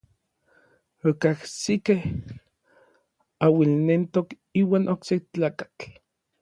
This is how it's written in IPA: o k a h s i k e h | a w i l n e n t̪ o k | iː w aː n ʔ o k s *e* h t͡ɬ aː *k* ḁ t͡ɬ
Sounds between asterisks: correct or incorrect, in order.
correct, correct

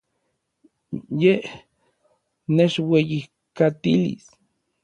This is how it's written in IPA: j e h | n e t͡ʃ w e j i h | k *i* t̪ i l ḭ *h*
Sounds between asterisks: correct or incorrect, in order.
incorrect, incorrect

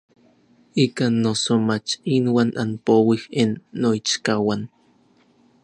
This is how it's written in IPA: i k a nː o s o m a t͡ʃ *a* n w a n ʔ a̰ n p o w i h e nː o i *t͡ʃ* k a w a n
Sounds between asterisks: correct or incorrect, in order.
incorrect, correct

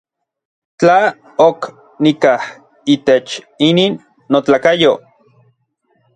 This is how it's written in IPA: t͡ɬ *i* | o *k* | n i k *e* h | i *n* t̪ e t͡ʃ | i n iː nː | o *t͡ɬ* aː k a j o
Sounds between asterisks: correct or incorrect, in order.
incorrect, correct, incorrect, incorrect, correct

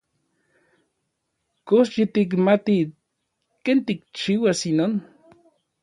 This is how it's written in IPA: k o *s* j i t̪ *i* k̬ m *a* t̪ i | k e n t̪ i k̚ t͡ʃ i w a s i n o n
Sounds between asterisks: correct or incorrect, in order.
correct, correct, correct

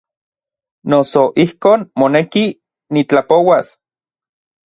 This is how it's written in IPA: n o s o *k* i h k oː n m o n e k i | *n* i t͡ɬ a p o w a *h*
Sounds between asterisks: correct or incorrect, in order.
incorrect, correct, incorrect

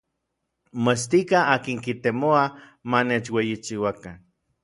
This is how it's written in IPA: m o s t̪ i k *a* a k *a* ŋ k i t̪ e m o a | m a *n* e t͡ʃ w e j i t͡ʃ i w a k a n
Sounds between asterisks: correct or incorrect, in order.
correct, incorrect, correct

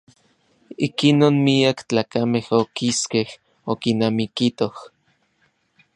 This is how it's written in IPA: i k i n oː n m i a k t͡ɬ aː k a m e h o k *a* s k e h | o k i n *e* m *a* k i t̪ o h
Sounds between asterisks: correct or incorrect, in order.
incorrect, incorrect, incorrect

